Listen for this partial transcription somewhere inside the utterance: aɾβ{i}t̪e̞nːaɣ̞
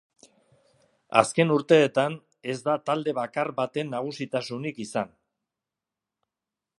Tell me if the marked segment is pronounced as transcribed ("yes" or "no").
no